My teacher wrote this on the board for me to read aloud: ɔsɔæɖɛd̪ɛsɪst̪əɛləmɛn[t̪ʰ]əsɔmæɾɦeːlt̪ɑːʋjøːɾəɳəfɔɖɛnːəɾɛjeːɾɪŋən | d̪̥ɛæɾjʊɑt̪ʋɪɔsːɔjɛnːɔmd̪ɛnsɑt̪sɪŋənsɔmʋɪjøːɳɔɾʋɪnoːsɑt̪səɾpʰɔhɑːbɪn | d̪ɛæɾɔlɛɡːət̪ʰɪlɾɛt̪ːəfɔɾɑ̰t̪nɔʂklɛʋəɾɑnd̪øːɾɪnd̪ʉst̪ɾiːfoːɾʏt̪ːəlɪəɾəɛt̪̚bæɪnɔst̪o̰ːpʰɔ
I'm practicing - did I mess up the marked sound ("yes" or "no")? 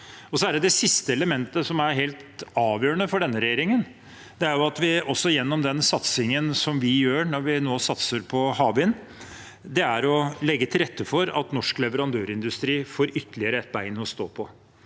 yes